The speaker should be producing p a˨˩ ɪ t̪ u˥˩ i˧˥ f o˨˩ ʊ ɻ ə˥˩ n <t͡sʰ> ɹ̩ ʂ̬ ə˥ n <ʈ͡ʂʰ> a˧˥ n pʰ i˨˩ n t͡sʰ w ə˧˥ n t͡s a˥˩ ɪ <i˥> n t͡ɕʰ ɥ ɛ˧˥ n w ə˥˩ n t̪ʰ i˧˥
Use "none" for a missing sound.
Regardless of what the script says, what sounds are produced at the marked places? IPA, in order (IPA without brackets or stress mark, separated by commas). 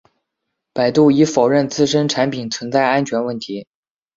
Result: t͡s, ʈ͡ʂʰ, a˥